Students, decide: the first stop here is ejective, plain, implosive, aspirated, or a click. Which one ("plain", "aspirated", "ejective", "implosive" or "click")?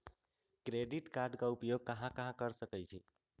plain